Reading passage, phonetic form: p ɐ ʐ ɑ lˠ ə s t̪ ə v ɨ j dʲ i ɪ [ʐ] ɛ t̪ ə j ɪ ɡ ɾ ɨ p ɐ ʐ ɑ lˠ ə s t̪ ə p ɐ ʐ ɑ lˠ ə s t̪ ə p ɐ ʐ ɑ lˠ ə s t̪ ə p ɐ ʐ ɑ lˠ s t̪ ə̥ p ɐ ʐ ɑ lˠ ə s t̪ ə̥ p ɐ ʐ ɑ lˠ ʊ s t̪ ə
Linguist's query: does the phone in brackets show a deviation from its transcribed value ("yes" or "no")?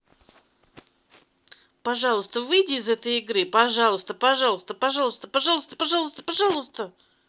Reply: yes